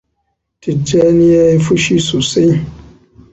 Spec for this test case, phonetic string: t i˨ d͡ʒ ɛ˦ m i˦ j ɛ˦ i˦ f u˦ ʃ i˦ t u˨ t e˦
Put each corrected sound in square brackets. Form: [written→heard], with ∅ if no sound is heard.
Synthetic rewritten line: t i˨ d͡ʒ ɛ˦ [m→n] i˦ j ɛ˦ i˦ f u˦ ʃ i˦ [t→s] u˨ [t→s] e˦